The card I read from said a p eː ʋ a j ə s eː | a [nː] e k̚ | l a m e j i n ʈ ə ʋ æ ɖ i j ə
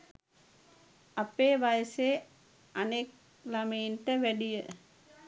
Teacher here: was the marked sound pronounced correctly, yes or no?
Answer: no